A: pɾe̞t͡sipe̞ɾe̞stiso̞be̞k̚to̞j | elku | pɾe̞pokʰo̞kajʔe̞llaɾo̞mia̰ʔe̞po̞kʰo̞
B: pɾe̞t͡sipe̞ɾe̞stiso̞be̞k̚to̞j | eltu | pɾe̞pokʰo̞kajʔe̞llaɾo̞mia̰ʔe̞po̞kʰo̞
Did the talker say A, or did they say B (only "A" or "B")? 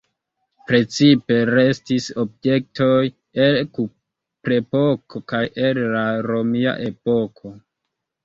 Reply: A